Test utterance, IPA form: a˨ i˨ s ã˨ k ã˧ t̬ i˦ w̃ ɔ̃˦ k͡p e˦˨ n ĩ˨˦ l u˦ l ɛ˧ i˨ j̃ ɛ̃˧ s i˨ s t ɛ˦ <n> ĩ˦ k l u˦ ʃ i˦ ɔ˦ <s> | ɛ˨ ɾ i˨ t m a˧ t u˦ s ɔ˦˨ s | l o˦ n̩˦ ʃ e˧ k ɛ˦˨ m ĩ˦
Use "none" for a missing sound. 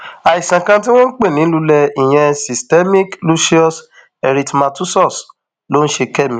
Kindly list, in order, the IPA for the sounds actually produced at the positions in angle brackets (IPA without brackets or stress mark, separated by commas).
m, s